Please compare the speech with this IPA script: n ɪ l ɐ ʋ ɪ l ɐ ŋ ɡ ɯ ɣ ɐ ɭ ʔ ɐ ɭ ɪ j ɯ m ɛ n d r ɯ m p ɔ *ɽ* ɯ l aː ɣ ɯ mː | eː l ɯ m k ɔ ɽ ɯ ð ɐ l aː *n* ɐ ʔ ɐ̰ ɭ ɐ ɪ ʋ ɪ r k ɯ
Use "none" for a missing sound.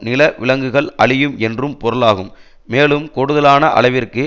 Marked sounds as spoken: ɾ, n

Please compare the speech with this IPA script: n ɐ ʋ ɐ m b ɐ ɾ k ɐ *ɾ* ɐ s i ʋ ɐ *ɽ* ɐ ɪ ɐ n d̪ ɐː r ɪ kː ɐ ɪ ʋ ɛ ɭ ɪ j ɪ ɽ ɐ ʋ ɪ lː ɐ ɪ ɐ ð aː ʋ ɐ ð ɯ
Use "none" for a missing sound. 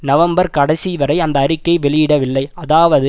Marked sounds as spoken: ɽ, ɾ

